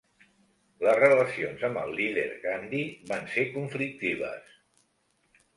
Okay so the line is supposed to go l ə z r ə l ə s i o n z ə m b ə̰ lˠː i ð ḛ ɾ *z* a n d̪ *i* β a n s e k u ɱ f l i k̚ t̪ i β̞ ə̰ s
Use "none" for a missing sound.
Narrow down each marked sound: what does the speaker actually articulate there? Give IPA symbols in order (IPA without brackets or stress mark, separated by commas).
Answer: ɣ, i